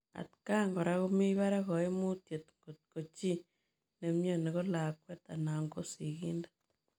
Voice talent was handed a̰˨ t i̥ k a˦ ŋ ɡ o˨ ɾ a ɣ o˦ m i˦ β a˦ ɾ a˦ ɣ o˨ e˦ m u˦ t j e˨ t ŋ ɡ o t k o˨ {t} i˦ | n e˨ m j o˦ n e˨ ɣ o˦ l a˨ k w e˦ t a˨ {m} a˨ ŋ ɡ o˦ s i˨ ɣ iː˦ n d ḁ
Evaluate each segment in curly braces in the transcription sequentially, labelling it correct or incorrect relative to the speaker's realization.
incorrect, incorrect

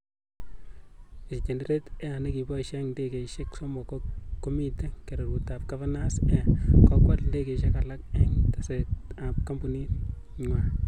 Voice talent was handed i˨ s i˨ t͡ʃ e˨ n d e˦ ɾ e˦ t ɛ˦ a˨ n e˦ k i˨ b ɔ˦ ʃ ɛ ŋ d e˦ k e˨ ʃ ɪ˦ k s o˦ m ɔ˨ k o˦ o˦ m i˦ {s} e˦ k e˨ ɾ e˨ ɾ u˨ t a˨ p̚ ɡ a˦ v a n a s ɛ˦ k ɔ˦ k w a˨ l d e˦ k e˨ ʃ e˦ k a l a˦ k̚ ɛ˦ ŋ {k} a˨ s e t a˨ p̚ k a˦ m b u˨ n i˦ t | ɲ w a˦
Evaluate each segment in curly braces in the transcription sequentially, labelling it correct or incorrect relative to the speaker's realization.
incorrect, incorrect

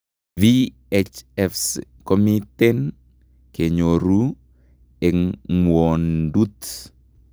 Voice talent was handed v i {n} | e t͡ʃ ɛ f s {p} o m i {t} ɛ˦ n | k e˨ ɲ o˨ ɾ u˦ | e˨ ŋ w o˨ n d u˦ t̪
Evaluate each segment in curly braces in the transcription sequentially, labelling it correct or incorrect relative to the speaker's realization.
incorrect, incorrect, correct

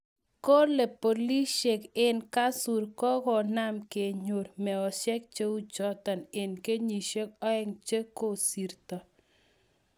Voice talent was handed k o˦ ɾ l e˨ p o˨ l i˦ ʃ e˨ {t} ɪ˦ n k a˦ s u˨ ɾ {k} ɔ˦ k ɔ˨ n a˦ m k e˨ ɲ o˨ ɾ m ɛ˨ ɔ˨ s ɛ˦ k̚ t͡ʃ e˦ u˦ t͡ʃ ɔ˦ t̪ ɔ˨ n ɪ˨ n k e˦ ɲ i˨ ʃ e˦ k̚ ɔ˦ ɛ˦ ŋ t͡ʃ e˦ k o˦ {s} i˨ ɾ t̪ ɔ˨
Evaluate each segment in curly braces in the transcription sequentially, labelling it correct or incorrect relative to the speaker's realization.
incorrect, correct, correct

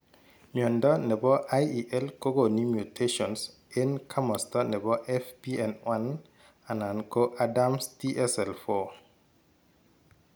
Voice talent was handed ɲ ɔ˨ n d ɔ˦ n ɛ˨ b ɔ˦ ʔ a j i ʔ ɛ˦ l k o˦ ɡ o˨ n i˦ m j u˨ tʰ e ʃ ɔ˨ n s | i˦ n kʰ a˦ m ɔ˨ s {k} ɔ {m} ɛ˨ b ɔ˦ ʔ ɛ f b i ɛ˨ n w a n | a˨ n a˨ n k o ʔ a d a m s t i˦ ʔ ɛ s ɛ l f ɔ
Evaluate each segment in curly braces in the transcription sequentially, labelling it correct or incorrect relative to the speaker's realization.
incorrect, incorrect

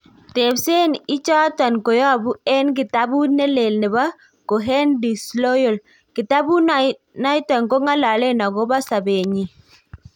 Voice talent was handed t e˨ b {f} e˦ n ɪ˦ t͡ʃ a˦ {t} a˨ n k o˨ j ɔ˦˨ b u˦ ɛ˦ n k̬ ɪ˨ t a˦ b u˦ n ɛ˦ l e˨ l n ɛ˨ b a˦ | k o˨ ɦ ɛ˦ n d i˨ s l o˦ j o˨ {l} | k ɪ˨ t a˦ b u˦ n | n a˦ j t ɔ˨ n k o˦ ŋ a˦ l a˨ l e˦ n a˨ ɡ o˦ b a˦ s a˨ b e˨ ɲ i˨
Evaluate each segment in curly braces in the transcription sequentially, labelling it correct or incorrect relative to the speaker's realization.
incorrect, correct, correct

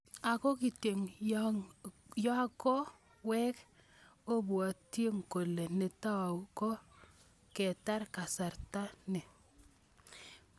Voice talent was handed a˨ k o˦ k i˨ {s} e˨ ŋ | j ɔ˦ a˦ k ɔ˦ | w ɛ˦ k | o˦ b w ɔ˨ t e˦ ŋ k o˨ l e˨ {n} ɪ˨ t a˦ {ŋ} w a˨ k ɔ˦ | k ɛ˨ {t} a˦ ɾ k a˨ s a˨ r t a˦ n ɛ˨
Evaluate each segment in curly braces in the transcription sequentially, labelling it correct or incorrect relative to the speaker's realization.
incorrect, correct, incorrect, correct

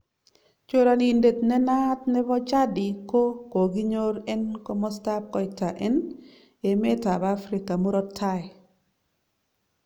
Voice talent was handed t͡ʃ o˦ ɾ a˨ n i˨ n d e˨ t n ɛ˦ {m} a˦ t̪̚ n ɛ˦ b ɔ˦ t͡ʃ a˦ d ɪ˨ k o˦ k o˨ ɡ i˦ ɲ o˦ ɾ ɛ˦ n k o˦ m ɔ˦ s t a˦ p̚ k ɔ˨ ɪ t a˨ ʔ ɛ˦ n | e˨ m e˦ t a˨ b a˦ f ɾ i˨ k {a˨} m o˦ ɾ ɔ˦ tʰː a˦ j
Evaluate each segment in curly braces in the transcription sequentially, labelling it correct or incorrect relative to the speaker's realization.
incorrect, correct

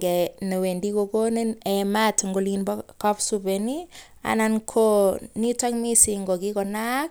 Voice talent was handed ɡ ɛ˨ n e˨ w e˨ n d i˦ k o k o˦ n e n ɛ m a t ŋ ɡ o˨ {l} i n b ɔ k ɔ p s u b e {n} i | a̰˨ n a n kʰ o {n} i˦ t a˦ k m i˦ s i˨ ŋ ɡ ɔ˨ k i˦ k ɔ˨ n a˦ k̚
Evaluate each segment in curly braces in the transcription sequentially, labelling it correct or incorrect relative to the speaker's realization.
correct, correct, correct

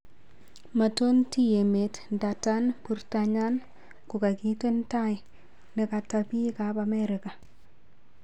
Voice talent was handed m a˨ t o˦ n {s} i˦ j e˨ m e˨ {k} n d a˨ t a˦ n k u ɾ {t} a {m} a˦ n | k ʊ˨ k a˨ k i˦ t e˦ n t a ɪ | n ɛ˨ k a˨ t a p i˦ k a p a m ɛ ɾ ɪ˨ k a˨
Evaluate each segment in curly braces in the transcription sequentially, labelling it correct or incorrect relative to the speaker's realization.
incorrect, incorrect, correct, incorrect

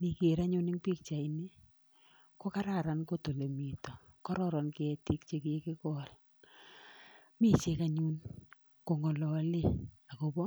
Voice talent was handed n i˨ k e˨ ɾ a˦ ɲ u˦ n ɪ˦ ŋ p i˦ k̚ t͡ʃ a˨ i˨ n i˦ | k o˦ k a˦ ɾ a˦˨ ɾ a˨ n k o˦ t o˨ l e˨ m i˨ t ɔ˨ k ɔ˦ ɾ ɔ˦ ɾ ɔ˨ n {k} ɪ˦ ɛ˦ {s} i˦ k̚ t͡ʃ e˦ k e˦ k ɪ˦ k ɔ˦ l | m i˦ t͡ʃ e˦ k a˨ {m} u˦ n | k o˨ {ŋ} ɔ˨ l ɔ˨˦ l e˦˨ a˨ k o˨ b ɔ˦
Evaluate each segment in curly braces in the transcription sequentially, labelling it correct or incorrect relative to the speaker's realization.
correct, incorrect, incorrect, correct

